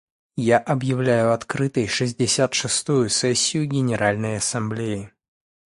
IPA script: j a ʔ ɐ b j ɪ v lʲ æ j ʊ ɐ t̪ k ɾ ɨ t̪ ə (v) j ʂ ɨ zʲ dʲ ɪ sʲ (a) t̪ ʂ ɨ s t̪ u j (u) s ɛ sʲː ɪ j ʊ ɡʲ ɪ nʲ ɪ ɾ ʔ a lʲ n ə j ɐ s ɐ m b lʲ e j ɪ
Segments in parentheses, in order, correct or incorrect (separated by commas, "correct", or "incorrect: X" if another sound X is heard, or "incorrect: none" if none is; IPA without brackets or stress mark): incorrect: none, correct, incorrect: ʊ